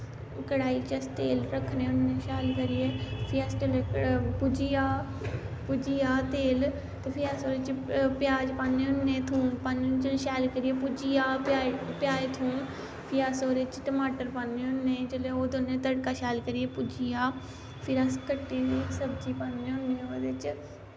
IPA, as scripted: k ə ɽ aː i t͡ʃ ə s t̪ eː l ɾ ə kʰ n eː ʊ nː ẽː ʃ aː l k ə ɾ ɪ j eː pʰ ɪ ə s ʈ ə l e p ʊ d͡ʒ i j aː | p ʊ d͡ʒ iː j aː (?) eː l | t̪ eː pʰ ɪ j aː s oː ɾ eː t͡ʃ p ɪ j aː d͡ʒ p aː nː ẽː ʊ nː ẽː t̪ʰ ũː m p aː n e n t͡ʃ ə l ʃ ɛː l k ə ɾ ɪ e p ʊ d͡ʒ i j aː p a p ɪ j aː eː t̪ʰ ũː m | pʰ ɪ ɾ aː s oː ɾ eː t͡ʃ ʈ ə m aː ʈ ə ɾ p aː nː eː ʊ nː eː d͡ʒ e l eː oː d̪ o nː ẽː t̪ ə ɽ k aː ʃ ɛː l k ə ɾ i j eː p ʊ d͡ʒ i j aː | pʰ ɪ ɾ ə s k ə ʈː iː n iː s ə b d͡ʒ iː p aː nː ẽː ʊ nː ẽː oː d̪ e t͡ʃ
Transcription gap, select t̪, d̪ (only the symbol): t̪